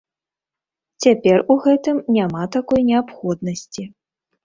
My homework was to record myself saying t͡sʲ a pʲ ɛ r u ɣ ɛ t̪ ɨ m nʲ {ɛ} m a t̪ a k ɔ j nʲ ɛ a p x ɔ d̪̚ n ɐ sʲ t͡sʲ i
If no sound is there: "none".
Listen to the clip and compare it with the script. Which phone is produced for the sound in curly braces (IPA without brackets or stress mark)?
a